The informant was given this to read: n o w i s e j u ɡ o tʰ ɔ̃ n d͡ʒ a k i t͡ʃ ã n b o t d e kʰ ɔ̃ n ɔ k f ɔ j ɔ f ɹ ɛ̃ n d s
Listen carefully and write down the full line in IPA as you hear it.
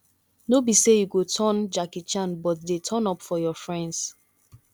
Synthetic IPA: n o b i s e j u ɡ o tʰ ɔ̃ n d͡ʒ a k i t͡ʃ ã n b ɔ t d e tʰ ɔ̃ n ɔ p f ɔ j ɔ f ɹ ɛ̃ n d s